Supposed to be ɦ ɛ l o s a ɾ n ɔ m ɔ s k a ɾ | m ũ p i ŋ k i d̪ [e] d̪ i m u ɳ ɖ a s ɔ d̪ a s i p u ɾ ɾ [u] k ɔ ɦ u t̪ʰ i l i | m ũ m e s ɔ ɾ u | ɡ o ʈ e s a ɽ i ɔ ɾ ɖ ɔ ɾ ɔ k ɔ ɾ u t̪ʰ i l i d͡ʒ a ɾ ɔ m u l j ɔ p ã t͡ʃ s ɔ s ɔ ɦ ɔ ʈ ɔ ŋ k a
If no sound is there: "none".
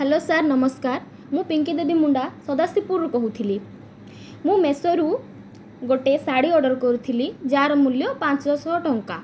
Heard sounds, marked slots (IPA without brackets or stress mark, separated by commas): e, u